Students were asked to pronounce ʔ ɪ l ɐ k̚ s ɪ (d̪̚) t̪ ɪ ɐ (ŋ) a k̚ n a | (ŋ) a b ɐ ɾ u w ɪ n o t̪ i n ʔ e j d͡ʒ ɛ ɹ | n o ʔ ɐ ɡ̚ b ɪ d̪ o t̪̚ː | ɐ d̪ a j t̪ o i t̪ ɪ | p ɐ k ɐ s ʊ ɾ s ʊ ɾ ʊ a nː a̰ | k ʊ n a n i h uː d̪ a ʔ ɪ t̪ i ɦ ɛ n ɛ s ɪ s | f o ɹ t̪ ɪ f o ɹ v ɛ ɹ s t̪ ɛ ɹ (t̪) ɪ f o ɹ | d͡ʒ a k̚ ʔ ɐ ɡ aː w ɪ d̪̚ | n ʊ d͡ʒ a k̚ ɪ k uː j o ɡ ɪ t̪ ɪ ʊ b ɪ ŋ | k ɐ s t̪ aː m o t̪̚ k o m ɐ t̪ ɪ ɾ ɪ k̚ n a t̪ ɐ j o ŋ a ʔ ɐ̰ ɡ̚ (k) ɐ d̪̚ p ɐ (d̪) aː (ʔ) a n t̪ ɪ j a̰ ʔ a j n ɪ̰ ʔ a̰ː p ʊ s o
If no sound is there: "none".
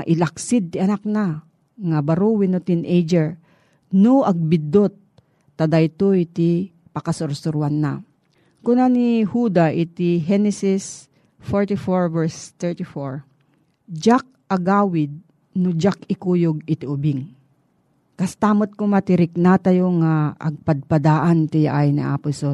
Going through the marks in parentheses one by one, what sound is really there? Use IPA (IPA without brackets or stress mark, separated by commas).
d̪̚, n, ŋ, t̪, p, d̪, ʔ